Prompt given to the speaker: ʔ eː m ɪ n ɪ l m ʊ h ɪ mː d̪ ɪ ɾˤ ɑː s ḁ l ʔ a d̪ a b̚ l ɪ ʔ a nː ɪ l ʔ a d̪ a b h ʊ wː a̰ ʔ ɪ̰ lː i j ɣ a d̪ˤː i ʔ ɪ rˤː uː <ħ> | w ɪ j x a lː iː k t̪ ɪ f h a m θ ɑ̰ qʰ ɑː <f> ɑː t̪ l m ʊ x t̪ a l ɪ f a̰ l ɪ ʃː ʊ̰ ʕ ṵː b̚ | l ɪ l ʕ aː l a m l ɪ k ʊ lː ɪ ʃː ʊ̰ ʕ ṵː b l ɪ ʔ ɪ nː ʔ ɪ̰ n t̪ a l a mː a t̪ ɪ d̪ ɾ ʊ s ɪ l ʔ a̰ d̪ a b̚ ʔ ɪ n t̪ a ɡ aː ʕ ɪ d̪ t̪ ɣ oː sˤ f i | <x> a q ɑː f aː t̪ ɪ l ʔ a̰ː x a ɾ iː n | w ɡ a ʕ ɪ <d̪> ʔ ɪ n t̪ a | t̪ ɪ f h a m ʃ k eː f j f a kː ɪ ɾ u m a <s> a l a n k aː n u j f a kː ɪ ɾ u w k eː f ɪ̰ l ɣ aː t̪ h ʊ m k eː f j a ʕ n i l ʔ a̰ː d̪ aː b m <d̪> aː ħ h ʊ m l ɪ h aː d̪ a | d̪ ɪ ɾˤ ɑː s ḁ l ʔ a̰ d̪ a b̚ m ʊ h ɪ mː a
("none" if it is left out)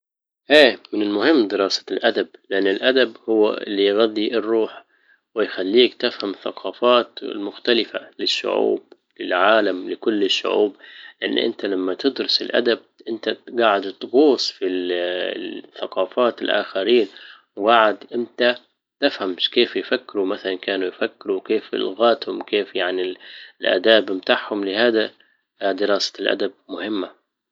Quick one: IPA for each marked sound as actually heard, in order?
ħ, f, θ, d̪, θ, t̪

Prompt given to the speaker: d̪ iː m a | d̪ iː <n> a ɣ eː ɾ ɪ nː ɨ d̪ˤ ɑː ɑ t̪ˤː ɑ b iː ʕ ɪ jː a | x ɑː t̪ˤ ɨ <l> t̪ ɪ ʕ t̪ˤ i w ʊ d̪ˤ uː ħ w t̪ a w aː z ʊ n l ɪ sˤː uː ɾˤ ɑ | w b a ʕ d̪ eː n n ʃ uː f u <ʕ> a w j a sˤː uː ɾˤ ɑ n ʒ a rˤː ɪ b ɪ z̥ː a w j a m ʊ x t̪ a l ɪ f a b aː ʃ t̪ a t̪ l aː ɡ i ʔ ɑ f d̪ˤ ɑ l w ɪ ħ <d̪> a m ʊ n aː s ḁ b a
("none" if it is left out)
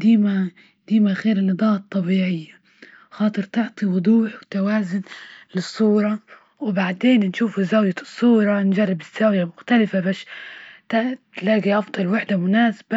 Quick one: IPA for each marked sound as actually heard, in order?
m, ɾ, z, d̪

